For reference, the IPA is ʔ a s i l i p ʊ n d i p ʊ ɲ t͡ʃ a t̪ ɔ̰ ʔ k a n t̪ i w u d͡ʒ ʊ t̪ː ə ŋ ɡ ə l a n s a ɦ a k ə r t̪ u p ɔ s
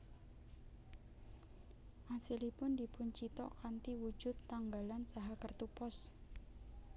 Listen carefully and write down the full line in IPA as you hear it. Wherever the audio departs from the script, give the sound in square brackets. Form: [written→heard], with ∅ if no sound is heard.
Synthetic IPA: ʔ a s i l i p ʊ n d i p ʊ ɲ t͡ʃ [a→i] t̪ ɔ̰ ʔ k a n t̪ i w u d͡ʒ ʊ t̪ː [ə→a] ŋ ɡ [ə→a] l a n s a ɦ a k ə r t̪ u p ɔ s

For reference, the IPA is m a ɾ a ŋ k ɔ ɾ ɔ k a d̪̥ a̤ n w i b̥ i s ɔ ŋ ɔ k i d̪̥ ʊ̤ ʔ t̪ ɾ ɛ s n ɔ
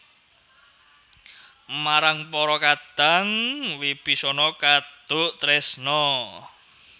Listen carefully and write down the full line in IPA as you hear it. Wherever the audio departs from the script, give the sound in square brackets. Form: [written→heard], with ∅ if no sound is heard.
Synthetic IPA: m a ɾ a ŋ [k→p] ɔ ɾ ɔ k a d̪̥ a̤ [n→ŋ] w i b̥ i s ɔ [ŋ→n] ɔ k [i→a] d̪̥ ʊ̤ ʔ t̪ ɾ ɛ s n ɔ

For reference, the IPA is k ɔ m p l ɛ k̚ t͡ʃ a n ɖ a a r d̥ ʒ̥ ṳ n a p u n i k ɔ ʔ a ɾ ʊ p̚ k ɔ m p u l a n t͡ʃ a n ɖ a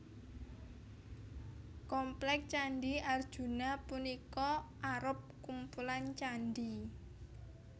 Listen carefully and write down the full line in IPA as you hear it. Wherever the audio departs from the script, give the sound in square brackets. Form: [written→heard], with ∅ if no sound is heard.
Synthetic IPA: k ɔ m p l ɛ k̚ t͡ʃ a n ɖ [a→i] a r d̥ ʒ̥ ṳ n a p u n i k ɔ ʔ a ɾ ʊ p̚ k [ɔ→u] m p u l a n t͡ʃ a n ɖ [a→i]

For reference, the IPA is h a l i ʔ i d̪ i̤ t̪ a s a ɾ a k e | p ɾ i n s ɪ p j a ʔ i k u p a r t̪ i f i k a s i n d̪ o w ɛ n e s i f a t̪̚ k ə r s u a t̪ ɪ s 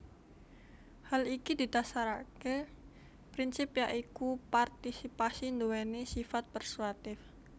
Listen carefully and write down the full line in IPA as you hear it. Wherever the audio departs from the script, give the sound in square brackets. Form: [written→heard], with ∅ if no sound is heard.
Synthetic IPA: h a l i [ʔ→k] i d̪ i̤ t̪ a s a ɾ a k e | p ɾ i n s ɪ p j a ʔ i k u p a r t̪ i [f→s] i [k→p] a s i n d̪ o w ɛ n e s i f a t̪̚ [k→p] ə r s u a t̪ ɪ [s→f]

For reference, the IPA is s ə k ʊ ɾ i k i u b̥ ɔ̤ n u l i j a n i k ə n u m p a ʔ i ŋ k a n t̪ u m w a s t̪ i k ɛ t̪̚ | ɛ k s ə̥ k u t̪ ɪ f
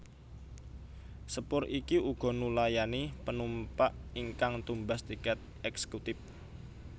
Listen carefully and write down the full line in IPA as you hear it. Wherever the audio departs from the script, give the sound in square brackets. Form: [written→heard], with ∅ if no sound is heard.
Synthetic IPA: s ə [k→p] ʊ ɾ i k i u [b̥→ɡ̥] ɔ̤ n u l [i→a] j a n i [k→p] ə n u m p a ʔ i ŋ k a [n→ŋ] t̪ u m [w→b] a s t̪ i k ɛ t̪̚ | ɛ k s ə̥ k u t̪ ɪ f

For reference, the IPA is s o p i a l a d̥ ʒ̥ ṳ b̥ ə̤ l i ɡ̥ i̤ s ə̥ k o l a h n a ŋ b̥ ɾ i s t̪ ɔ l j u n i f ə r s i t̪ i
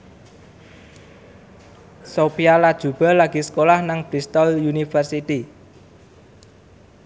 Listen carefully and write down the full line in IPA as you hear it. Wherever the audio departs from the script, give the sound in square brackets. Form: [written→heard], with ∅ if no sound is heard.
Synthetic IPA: s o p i a l a d̥ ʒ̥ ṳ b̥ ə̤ l [i→a] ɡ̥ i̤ s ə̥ k o l a h n a ŋ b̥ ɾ i s t̪ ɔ l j u n i f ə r s i t̪ i

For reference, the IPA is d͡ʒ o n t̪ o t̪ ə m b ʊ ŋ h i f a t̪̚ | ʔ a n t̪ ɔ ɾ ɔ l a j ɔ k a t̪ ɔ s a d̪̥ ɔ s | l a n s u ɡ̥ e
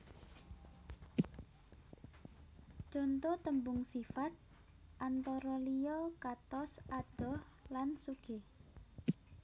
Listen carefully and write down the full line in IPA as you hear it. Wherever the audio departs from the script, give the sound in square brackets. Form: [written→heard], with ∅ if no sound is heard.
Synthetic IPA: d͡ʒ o n t̪ o t̪ ə m b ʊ ŋ [h→s] i f a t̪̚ | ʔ a n t̪ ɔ ɾ ɔ l [a→i] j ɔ k a t̪ ɔ s a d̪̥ ɔ [s→h] | l a n s u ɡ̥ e

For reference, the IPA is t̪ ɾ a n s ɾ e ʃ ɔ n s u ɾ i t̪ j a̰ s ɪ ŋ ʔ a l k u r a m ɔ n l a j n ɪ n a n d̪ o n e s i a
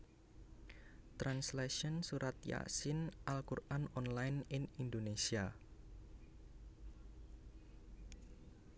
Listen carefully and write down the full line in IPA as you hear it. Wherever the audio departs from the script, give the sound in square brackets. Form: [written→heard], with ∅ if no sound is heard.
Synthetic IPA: t̪ ɾ a n s [ɾ→l] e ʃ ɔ n s u ɾ [i→a] t̪ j a̰ s ɪ [ŋ→n] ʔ a l k u r a [m→n] ɔ n l a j n ɪ n [a→i] n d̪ o n e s i a

